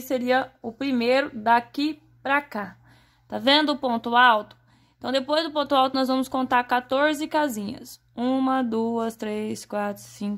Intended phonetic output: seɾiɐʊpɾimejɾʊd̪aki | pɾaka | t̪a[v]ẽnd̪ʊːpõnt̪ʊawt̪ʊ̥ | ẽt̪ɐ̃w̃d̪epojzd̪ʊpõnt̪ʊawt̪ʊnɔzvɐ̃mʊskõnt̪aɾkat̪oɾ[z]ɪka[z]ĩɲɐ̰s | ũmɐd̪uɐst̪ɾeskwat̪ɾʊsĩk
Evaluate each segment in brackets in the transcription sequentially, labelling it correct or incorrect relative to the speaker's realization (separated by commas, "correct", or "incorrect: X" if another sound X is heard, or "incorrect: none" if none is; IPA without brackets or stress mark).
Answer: correct, correct, correct